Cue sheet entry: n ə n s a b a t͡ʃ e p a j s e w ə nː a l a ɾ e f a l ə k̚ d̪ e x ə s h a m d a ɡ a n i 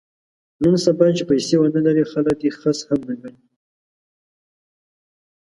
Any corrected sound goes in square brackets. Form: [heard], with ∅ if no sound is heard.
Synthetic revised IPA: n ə n s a b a t͡ʃ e p a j s e w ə [n] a l a ɾ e [x] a l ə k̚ d̪ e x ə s h a m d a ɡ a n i